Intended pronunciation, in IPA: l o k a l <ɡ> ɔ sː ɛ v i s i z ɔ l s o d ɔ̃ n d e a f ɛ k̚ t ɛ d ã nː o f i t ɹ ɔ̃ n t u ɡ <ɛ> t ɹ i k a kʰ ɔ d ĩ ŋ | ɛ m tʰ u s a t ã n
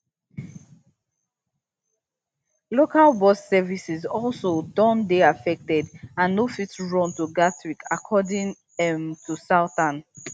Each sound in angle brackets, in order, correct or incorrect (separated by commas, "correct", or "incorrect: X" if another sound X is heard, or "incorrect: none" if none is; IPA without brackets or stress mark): incorrect: b, incorrect: a